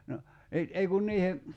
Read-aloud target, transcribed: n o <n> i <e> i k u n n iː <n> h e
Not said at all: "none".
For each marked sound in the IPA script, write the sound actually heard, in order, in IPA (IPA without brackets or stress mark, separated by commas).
n, e, none